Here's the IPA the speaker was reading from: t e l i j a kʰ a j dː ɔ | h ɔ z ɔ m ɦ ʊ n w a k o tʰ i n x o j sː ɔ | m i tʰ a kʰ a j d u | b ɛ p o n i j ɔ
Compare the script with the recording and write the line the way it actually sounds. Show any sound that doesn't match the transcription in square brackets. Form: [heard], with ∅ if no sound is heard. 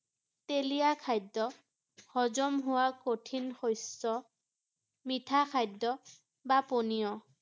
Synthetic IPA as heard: t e l i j a kʰ a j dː ɔ | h ɔ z ɔ m ɦ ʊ [∅] w a k o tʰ i n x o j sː ɔ | m i tʰ a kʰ a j d [ɔ] | b [a] p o n i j ɔ